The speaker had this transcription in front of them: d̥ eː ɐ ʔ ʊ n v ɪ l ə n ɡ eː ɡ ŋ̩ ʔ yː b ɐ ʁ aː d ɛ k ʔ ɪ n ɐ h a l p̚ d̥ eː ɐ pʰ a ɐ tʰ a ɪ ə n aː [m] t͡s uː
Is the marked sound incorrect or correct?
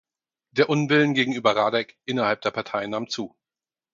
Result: correct